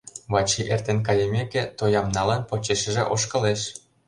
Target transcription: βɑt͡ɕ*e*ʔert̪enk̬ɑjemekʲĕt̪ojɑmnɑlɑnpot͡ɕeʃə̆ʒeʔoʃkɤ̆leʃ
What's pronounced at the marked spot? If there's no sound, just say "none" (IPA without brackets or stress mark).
i